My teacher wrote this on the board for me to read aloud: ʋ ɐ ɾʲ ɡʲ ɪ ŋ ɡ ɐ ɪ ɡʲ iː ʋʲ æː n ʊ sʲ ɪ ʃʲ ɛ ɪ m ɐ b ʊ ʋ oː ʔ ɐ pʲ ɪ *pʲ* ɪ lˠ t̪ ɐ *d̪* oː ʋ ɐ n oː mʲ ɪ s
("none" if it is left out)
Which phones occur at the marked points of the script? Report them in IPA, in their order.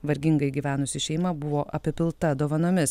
pʲ, d̪

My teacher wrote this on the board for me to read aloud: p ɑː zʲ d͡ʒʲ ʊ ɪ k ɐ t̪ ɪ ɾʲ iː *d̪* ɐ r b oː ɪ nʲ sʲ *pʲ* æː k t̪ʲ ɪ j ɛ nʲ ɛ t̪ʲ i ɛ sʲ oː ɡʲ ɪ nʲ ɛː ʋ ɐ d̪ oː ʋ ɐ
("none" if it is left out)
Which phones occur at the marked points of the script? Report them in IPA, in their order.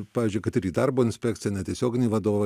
d̪, pʲ

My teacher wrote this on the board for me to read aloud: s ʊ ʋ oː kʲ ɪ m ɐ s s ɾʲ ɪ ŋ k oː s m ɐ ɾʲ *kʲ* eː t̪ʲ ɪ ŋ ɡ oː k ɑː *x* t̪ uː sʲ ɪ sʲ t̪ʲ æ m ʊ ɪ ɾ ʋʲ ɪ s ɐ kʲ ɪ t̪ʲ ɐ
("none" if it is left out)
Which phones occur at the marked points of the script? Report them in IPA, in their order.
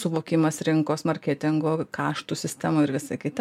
kʲ, ʃ

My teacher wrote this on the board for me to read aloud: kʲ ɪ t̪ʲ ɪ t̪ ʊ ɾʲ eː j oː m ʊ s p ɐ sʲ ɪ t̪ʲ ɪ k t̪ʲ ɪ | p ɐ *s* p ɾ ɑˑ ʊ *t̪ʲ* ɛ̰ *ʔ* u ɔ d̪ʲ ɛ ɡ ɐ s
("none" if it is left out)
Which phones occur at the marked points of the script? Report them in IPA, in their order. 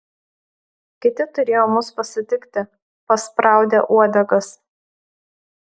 s, d̪ʲ, ʔ

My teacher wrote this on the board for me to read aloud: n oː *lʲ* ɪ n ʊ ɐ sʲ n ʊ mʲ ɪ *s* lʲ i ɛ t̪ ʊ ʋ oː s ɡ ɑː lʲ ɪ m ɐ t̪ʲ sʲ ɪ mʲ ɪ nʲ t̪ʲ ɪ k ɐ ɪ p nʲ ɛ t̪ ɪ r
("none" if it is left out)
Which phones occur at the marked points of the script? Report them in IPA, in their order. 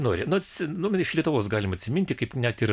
ɾʲ, ʃ

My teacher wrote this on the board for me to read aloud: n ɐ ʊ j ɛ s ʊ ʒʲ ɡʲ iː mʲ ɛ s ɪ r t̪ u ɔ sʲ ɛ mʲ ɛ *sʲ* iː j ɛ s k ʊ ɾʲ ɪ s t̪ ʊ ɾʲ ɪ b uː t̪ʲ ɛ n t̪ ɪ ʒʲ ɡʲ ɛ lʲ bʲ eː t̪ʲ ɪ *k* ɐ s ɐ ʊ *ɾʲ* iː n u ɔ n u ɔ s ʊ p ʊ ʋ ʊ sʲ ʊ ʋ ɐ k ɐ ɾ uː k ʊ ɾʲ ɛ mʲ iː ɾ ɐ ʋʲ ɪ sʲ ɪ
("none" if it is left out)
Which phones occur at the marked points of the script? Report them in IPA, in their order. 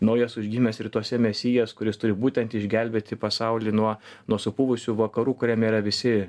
sʲ, p, lʲ

